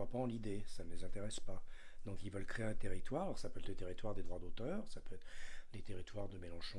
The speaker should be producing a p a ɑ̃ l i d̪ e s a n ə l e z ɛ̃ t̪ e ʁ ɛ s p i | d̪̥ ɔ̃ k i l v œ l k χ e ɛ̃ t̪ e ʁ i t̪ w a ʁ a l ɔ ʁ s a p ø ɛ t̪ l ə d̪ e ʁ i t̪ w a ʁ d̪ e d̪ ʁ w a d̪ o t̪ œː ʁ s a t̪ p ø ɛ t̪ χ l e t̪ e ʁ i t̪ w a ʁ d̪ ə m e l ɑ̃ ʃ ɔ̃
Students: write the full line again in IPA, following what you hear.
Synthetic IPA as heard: a p a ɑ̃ l i d̪ e s a n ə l e z ɛ̃ t̪ e ʁ ɛ s p a | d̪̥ ɔ̃ k i l v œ l k χ e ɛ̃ t̪ e ʁ i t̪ w a ʁ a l ɔ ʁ s a p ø ɛ t̪ l ə t̪ e ʁ i t̪ w a ʁ d̪ e d̪ ʁ w a d̪ o t̪ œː ʁ s a p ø ɛ t̪ χ l e t̪ e ʁ i t̪ w a ʁ d̪ ə m e l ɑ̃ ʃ ɔ̃